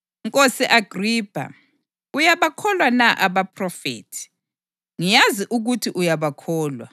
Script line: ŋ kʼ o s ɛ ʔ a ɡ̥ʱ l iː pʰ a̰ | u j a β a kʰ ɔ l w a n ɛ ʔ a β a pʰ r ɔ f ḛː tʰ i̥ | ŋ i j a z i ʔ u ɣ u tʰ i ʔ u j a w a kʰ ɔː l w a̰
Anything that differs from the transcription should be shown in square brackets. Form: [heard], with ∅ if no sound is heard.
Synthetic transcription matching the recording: ŋ kʼ o s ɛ ʔ a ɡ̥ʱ [r] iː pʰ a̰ | u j a β a kʰ ɔ l w a n [a] ʔ a β a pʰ r ɔ f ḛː tʰ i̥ | ŋ i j a z i ʔ u ɣ u tʰ i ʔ u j a [β] a kʰ ɔː l w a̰